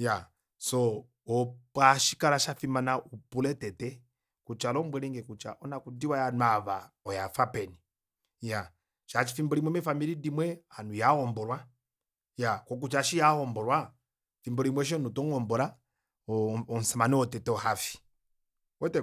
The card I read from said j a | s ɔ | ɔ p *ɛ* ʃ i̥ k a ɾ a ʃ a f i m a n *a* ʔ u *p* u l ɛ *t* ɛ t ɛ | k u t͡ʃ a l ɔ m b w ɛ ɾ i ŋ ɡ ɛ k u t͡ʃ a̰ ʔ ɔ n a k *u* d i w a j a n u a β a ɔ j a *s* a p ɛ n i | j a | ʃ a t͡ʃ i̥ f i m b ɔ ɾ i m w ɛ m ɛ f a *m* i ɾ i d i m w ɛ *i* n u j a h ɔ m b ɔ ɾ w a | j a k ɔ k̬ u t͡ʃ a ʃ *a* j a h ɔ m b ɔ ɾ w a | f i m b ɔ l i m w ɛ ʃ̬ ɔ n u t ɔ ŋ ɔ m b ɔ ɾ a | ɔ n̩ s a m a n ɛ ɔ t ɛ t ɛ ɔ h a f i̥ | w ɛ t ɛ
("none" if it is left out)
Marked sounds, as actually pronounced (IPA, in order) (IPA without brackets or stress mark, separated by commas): a, a, p, t, u, f, m, a, i